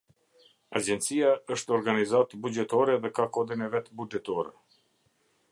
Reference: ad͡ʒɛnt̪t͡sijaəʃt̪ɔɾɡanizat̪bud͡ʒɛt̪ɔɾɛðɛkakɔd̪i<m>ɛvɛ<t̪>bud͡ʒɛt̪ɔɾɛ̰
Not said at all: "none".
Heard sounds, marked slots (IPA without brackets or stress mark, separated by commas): n, t̪